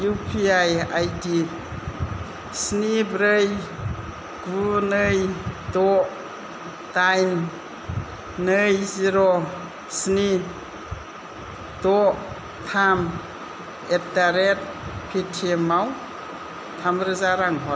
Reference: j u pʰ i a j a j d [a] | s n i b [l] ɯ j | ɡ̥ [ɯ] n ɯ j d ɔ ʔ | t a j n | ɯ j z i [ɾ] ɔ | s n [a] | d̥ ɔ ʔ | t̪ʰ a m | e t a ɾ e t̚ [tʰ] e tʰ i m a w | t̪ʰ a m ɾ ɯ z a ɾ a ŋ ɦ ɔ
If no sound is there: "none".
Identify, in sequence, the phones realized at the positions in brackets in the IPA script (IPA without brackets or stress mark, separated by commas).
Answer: i, ɾ, u, ɾ, i, pʰ